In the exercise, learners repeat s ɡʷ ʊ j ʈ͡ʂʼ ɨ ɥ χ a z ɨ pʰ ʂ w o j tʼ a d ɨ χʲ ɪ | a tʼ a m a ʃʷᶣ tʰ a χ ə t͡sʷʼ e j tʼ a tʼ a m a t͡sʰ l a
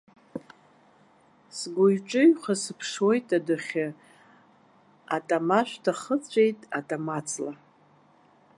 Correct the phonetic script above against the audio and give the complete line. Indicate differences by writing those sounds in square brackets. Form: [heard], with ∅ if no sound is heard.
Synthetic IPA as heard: s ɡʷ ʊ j ʈ͡ʂʼ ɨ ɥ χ a [s] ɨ pʰ ʂ w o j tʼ a d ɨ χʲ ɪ | a tʼ a m a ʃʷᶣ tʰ a χ ə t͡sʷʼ e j tʼ a tʼ a m a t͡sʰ l a